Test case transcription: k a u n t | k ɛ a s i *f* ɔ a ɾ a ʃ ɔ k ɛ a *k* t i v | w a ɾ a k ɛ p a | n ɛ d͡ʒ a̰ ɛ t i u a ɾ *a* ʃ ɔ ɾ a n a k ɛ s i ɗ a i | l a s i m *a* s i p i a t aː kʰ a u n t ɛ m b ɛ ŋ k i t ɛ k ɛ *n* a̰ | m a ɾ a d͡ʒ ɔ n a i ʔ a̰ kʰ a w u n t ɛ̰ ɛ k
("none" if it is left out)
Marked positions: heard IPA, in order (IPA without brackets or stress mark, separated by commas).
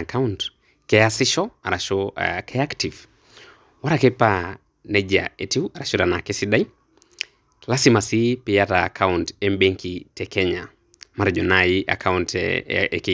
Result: ʃ, k, a, a, ɲ